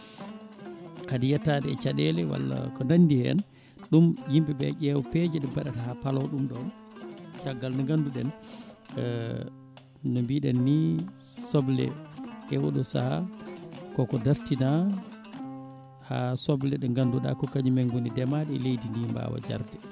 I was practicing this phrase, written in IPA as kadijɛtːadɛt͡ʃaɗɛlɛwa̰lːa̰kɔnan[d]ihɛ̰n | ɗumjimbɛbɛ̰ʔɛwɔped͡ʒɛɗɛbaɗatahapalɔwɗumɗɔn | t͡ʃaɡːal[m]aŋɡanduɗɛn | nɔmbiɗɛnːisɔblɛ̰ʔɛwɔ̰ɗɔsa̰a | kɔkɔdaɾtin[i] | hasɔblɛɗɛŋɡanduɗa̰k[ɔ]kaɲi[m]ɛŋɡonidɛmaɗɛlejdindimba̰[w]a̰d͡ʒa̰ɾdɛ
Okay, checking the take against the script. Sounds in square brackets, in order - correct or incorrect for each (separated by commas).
correct, incorrect, incorrect, correct, correct, correct